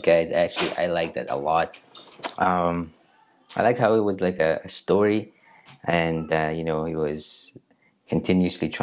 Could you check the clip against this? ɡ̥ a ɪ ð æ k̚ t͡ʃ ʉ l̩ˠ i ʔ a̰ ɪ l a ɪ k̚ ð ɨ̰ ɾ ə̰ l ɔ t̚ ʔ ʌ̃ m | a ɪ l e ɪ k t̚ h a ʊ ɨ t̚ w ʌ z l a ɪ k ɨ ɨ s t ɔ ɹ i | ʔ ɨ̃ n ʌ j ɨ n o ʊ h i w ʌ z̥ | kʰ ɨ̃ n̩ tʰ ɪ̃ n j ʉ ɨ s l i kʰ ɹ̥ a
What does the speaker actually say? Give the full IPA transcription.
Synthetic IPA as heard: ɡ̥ a ɪ z æ k̚ t͡ʃ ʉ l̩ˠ i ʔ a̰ ɪ l a ɪ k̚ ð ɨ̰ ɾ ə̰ l ɔ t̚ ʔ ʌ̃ m | a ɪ l a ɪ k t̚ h a ʊ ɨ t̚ w ʌ z l a ɪ k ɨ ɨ s t ɔ ɹ i | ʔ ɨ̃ n ʌ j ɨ n o ʊ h i w ʌ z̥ | kʰ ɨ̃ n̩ tʰ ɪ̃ n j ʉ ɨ s l i tʰ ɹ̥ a